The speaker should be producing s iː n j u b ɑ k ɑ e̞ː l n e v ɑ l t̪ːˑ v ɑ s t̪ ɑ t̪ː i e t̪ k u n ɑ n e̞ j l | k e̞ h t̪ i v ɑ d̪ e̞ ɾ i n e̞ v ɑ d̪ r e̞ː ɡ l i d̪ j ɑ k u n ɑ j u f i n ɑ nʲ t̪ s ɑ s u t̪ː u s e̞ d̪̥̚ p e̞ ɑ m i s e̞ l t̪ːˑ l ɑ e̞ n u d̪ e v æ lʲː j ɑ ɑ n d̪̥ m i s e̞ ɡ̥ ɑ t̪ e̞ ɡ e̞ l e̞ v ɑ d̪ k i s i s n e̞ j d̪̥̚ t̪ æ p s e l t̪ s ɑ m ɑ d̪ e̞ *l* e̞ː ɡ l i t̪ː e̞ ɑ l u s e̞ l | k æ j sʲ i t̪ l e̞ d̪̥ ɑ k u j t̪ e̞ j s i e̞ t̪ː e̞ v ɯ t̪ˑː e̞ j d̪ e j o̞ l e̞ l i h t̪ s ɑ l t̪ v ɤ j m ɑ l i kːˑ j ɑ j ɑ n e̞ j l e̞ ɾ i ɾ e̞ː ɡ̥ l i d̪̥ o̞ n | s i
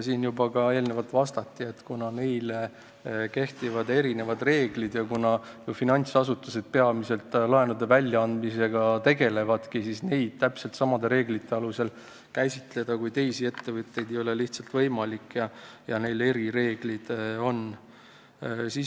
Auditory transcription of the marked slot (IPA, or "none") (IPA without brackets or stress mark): ɾ